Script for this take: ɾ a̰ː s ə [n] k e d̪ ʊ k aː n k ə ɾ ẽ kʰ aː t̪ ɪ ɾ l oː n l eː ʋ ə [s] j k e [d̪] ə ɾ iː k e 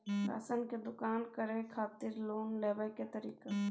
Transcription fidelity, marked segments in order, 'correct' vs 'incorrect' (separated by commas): correct, incorrect, incorrect